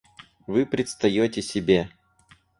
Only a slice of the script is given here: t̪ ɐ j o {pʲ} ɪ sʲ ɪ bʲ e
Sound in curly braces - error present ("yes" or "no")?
yes